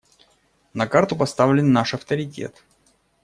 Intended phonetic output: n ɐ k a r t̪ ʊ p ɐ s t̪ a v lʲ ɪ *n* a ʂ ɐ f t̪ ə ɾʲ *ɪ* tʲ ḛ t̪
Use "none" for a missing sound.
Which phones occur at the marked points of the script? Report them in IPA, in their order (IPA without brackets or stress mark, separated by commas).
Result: nː, ɪ